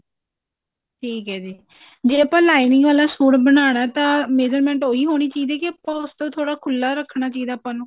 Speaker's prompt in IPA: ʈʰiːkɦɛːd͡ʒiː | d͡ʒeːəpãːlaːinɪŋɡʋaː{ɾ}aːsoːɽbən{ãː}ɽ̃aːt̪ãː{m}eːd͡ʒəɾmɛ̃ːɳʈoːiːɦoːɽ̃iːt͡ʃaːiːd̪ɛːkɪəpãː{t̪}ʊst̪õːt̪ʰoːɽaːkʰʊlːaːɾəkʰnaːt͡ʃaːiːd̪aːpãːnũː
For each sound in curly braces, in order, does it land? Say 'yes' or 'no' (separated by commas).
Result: no, no, yes, no